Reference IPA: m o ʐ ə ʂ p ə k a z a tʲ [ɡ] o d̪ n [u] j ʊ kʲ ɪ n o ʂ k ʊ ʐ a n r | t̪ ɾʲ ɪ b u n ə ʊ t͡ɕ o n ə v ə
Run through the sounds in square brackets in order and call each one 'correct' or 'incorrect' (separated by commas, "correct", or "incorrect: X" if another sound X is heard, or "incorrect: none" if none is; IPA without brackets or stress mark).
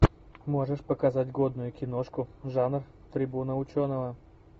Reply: correct, incorrect: ʊ